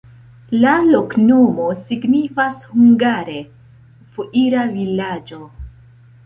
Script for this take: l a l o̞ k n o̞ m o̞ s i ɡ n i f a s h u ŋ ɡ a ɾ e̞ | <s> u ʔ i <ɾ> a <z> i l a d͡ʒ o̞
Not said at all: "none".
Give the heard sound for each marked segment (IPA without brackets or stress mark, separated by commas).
f, ɾ, v